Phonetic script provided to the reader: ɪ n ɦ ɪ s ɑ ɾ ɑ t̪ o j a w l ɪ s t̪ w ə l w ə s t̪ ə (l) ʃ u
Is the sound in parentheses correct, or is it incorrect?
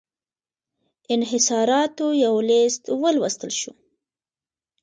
correct